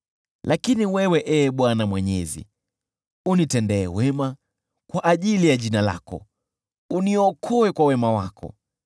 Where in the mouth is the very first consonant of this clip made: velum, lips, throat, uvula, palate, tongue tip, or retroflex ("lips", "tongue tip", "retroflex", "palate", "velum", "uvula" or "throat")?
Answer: tongue tip